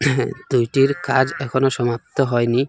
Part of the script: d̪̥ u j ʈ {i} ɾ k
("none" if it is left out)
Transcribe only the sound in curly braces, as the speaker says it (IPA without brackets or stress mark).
i